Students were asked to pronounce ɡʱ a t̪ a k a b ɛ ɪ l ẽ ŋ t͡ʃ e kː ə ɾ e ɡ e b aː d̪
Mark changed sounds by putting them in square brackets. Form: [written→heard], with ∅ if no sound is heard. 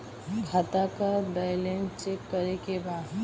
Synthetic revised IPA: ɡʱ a t̪ a k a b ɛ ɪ l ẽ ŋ t͡ʃ e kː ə ɾ e [ɡ→k] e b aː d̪